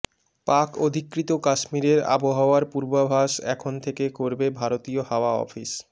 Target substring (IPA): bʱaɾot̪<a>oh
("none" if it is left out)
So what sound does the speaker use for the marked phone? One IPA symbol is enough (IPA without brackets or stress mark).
i